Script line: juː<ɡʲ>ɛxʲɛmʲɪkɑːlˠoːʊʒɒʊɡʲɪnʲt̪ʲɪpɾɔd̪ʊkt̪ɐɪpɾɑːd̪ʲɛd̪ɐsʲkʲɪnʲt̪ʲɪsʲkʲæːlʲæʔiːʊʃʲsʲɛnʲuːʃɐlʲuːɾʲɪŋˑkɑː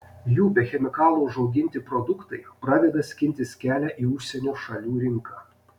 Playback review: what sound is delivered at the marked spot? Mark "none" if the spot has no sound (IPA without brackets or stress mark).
bʲ